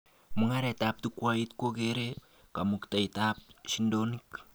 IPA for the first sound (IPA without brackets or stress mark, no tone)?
m